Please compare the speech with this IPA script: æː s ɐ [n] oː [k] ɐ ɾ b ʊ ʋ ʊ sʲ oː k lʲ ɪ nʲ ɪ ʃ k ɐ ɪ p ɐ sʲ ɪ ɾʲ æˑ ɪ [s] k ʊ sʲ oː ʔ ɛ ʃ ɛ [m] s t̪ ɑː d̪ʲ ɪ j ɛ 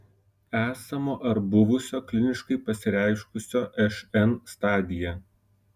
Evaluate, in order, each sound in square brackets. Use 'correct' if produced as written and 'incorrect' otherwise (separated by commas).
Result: incorrect, incorrect, incorrect, incorrect